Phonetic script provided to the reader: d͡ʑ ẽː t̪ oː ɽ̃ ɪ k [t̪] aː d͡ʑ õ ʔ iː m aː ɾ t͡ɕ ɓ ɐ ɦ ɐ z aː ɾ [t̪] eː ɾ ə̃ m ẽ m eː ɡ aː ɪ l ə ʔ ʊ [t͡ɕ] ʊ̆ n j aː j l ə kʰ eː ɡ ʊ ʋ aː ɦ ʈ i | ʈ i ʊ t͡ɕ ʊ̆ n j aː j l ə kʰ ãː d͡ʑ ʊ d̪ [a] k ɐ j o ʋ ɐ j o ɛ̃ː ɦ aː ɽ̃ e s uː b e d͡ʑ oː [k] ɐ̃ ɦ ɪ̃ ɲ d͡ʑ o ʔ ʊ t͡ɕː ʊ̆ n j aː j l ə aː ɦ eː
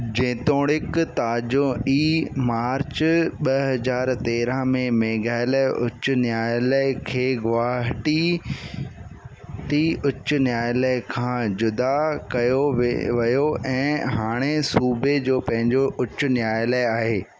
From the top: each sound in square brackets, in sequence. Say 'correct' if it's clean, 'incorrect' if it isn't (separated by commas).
correct, correct, correct, correct, incorrect